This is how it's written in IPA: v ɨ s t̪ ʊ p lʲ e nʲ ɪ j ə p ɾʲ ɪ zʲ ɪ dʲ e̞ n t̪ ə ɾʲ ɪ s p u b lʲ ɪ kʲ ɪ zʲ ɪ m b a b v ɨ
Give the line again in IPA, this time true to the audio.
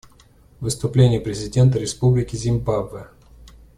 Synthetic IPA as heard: v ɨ s t̪ ʊ p lʲ e nʲ ɪ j ə p ɾʲ ɪ zʲ ɪ dʲ e̞ n t̪ ə ɾʲ ɪ s p u b lʲ ɪ kʲ ɪ zʲ ɪ m b a b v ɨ